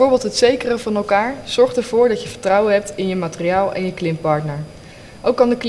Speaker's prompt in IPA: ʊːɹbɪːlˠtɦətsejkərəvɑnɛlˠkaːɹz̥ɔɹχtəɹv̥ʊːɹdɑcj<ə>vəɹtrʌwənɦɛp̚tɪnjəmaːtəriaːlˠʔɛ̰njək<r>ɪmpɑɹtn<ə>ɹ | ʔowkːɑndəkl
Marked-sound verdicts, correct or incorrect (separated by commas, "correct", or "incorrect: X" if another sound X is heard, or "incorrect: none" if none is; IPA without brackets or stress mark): correct, incorrect: l, correct